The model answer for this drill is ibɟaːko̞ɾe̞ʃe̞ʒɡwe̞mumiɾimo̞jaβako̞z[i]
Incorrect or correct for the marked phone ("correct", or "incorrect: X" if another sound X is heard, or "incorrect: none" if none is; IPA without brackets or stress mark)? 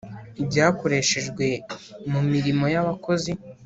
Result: correct